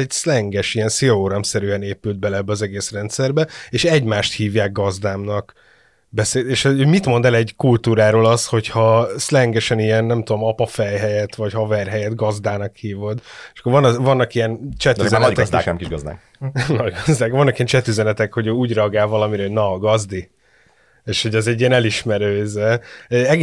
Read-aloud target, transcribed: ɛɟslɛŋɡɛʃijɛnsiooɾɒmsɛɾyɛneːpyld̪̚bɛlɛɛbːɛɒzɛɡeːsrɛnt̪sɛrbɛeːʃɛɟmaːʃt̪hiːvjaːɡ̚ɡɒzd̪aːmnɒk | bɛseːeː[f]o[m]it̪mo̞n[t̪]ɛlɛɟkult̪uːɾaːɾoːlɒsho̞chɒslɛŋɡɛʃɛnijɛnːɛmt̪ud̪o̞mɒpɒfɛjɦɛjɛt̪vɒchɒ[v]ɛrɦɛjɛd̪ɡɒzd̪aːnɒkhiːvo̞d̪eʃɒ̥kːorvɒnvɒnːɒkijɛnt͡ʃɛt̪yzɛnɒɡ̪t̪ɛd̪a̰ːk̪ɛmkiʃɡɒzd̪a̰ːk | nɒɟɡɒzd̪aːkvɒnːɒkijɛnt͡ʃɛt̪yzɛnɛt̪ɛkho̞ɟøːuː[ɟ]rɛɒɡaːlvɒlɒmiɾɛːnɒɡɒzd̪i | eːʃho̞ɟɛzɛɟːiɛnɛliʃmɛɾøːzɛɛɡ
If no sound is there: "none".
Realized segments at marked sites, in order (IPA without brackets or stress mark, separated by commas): ʃ, m, d̪, v, ɟ